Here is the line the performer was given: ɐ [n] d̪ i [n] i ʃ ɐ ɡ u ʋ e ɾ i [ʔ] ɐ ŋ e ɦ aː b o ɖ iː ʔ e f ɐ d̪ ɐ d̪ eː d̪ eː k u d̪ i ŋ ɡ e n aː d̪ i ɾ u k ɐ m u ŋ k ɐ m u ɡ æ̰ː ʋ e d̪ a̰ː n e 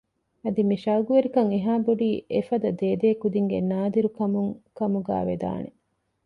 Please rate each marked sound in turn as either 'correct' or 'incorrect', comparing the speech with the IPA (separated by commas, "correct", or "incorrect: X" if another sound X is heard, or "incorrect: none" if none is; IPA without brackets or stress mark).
incorrect: none, incorrect: m, incorrect: k